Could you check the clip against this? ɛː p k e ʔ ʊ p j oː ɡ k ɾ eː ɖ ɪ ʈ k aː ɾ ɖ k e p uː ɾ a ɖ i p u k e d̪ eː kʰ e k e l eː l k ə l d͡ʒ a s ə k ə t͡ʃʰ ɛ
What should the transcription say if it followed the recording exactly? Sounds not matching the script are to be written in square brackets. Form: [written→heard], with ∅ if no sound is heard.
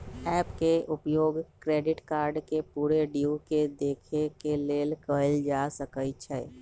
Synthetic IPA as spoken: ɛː p k e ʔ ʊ p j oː ɡ k ɾ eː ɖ ɪ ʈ k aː ɾ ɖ k e p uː ɾ [a→e] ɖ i [p→∅] u k e d̪ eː kʰ e k e l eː l k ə l d͡ʒ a s ə k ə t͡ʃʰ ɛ